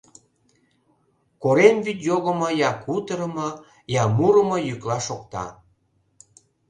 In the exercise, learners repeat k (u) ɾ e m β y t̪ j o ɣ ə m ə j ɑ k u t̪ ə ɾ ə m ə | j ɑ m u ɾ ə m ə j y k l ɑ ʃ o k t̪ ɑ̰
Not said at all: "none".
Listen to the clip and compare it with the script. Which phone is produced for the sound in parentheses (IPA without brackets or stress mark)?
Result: o